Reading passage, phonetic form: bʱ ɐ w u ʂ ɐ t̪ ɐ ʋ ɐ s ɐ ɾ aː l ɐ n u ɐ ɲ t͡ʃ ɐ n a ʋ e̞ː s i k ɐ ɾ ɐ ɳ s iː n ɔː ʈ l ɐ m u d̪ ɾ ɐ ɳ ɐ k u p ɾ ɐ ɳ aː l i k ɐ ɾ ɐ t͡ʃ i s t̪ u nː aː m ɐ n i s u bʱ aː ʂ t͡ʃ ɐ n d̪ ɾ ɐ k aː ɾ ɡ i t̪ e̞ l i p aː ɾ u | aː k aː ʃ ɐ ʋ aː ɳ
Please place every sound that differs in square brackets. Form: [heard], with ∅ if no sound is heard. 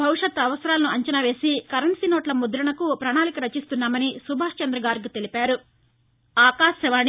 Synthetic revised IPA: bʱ ɐ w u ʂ ɐ t̪ ɐ ʋ ɐ s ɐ ɾ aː l ɐ n u ɐ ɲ t͡ʃ ɐ n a ʋ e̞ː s i k ɐ ɾ ɐ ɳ s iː n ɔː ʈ l ɐ m u d̪ ɾ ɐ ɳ ɐ k u p ɾ ɐ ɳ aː l i k ɐ ɾ ɐ t͡ʃ i s t̪ u nː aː m ɐ n i s u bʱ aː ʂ t͡ʃ ɐ n d̪ ɾ ɐ [ɡ] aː ɾ ɡ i t̪ e̞ l i p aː ɾ u | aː k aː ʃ ɐ ʋ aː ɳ